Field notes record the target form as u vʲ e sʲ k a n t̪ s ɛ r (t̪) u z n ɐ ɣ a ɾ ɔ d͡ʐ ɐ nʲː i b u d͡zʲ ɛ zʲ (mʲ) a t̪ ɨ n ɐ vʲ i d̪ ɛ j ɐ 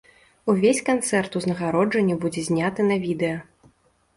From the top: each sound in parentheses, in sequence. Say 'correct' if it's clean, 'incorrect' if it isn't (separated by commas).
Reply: correct, incorrect